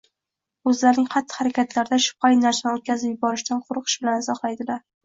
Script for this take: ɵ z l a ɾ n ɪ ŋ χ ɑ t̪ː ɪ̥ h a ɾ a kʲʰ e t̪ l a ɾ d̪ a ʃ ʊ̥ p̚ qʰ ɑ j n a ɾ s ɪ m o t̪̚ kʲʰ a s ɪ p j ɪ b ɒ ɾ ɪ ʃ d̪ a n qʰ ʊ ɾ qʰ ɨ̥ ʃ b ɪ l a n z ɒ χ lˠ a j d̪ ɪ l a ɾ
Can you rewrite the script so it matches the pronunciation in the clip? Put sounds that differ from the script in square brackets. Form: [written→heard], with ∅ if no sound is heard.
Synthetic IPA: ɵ z l a ɾ n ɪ ŋ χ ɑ t̪ː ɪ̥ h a ɾ a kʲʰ [e→a] t̪ l a ɾ d̪ a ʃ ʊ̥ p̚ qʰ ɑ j n a ɾ s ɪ [m→n] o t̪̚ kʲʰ a [s→z] ɪ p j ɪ b ɒ ɾ ɪ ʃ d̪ a n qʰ ʊ ɾ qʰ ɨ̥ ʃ b ɪ l a n z ɒ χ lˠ a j d̪ ɪ l a ɾ

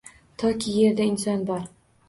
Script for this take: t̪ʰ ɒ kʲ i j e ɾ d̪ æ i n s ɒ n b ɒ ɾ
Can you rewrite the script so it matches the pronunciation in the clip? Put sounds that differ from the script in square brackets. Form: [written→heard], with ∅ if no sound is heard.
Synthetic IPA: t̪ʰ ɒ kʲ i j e ɾ d̪ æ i n s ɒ n b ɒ ɾ

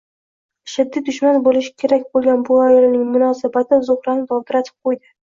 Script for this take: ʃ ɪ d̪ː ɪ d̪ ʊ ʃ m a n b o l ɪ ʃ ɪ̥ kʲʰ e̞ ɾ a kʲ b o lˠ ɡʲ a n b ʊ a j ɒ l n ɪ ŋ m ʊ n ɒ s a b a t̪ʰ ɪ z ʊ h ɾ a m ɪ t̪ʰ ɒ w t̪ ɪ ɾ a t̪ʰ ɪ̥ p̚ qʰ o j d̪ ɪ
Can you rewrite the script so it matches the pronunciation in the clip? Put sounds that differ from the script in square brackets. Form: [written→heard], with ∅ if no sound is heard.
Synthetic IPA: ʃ ɪ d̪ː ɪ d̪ ʊ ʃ m a n b o l ɪ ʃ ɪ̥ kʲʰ e̞ ɾ a kʲ b o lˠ ɡʲ a n b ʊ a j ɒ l n ɪ ŋ m ʊ n ɒ s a b a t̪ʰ ɪ z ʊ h ɾ a [m→n] ɪ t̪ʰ ɒ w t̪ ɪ ɾ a t̪ʰ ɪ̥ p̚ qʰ o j d̪ ɪ

